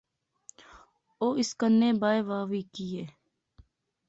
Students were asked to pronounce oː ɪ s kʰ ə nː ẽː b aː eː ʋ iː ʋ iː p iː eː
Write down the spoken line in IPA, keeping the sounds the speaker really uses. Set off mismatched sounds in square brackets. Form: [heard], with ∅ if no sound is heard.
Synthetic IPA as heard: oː ɪ s [k] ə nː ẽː b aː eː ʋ [aː] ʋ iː [k] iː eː